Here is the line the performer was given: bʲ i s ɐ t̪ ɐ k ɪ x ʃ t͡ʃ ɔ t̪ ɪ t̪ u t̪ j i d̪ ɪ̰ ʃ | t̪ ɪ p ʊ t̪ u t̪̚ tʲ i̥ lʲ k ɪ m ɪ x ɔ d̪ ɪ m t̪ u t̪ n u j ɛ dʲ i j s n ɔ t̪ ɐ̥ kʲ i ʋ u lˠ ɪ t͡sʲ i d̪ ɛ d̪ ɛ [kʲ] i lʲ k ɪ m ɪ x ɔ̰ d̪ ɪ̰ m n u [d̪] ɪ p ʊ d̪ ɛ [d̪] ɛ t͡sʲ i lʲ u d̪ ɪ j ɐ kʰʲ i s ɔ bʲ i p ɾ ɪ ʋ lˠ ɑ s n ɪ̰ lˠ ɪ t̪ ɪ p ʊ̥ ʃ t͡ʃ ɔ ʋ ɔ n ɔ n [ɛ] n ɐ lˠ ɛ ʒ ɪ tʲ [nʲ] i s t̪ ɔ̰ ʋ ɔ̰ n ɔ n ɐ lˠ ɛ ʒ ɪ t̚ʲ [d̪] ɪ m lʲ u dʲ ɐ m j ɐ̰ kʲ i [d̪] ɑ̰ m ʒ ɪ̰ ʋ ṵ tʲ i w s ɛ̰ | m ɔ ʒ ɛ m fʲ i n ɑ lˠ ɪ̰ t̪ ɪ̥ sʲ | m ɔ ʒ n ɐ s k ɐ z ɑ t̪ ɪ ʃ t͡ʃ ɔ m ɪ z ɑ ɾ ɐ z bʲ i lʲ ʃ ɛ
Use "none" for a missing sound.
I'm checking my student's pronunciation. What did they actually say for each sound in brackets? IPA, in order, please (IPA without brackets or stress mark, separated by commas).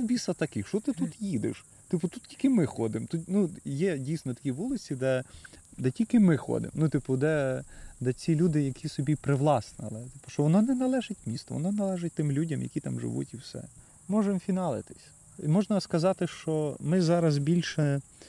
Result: tʲ, t̪, d̪, ɛ, mʲ, t̪, t̪